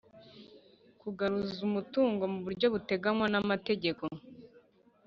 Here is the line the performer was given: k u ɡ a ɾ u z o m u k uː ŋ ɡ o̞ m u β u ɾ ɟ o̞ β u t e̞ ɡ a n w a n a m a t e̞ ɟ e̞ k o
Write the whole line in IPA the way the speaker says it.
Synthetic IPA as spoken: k u ɡ a ɾ u z u m u t uː ŋ ɡ o̞ m u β u ɾ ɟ o̞ β u t e̞ ɡ a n w a n a m a t e̞ ɟ e̞ k o